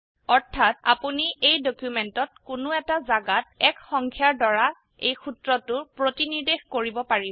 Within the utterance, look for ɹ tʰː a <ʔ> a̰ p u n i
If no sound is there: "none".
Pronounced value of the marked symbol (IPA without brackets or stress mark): t